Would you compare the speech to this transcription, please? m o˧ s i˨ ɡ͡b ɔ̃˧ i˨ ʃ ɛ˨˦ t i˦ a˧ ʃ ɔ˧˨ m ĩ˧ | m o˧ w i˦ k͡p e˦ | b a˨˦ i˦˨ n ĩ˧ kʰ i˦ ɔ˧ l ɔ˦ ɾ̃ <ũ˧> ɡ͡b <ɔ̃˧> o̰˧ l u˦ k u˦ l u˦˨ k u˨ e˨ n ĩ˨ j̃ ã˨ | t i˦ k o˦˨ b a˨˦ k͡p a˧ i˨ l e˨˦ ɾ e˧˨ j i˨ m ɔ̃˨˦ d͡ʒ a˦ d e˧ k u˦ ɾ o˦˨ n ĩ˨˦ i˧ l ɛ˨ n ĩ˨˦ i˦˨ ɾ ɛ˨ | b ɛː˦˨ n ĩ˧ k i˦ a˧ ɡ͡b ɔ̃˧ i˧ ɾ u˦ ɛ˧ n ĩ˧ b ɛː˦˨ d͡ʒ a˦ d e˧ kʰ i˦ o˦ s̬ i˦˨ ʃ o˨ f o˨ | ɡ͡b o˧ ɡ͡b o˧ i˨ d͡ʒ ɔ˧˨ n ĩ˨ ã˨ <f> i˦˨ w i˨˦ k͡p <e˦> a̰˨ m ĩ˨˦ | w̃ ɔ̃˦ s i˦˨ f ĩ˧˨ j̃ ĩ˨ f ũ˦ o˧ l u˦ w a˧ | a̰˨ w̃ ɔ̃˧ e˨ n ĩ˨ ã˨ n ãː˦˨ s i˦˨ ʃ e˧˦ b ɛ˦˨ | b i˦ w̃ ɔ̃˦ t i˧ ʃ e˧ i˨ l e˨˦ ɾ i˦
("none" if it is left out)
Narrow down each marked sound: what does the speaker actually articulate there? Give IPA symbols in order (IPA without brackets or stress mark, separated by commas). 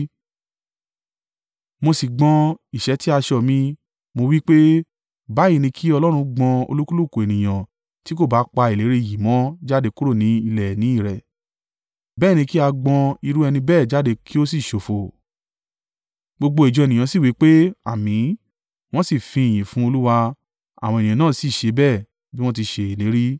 ũ˧, ɔ̃˧, s, e˦